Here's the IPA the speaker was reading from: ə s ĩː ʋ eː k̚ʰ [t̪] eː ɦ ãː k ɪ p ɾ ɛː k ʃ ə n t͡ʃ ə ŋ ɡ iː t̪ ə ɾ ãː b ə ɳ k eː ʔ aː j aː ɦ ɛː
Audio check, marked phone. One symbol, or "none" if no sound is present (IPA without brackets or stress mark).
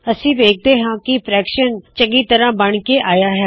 d̪